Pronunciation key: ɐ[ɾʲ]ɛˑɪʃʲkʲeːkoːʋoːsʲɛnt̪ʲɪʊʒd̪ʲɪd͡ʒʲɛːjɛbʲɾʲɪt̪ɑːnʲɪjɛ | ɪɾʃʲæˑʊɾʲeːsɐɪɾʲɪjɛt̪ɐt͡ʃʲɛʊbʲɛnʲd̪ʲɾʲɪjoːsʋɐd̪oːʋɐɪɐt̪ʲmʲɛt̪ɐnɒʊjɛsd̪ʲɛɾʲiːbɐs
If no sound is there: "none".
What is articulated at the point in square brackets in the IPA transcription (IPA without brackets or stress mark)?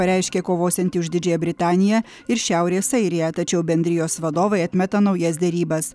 ɾʲ